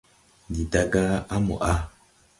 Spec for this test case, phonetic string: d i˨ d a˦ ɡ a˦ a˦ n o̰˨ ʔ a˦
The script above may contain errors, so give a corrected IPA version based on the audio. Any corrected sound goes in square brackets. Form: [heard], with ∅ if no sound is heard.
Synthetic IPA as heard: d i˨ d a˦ ɡ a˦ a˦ [m] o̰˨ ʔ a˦